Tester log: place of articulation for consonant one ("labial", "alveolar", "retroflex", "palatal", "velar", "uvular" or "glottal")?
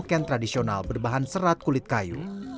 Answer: velar